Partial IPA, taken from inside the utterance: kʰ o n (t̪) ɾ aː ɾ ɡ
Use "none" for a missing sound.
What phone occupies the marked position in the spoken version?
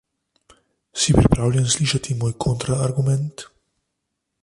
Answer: t̪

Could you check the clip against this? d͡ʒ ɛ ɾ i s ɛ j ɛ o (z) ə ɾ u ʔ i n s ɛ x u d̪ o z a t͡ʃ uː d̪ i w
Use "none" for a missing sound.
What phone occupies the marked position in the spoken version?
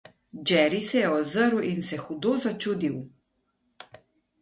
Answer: z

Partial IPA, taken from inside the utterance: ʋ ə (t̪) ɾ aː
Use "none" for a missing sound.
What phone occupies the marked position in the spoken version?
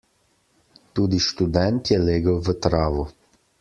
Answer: t̪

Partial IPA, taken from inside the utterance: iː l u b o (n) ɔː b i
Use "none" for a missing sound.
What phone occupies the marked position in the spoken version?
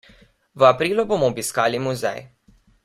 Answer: m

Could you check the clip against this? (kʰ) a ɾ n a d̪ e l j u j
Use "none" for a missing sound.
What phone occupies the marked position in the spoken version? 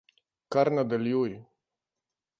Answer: k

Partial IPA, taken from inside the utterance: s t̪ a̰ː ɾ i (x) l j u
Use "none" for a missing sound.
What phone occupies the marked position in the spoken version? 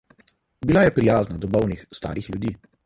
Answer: x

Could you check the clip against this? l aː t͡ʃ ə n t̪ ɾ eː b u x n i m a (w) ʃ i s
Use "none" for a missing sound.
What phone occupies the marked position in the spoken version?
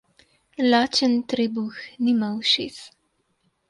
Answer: w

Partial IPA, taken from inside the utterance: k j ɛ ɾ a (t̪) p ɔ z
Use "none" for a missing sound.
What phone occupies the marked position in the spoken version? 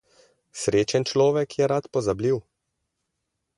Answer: t̪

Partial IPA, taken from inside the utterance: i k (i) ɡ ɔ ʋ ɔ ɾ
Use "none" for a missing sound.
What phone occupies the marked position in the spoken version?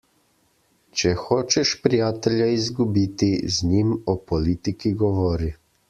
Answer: i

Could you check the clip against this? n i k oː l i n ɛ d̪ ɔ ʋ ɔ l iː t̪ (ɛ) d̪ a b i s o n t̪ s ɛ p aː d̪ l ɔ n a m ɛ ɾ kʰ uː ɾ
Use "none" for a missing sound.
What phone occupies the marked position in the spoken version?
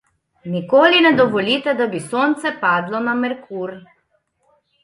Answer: ɛ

